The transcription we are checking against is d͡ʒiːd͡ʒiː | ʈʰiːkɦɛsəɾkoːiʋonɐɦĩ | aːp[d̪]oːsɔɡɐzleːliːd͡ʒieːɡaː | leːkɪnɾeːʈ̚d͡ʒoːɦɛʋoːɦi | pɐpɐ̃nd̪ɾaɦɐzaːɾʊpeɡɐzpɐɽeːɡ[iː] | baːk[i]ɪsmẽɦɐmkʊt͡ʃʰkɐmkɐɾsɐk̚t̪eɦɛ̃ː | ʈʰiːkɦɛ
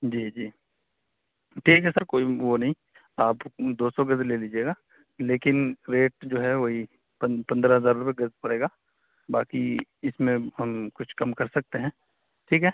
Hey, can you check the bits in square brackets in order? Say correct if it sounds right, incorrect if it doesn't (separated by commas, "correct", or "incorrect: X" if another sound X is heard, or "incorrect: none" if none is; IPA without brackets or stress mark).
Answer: correct, incorrect: aː, correct